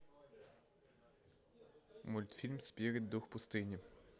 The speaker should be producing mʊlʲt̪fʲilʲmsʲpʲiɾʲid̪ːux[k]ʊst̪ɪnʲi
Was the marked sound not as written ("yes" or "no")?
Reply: yes